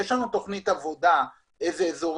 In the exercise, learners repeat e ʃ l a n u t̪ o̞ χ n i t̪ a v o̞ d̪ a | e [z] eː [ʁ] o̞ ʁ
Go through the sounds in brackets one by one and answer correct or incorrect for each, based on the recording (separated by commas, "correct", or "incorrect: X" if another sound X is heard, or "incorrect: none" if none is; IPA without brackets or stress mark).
correct, incorrect: z